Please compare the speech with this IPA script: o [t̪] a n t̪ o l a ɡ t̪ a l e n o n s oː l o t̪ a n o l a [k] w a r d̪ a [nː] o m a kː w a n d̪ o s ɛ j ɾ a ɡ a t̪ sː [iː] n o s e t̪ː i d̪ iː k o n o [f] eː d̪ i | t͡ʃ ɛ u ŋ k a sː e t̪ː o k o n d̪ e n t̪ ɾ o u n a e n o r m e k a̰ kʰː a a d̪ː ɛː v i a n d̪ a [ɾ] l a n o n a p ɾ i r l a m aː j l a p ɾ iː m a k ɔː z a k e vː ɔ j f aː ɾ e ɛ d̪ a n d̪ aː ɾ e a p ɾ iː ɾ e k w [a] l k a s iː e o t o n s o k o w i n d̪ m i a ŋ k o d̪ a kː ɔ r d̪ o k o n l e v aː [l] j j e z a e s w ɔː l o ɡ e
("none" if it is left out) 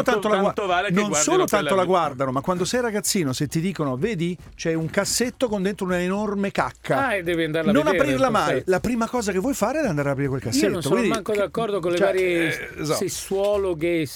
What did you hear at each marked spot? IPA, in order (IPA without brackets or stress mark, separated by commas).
t̪, ɡ, n, iː, v, ɾ, e, ɾ